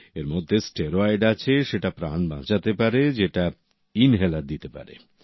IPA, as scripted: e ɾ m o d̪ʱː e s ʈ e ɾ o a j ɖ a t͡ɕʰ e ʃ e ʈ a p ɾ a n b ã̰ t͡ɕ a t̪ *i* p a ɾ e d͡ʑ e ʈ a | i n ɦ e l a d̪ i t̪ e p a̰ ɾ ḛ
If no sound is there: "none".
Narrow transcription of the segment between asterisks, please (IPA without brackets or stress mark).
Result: e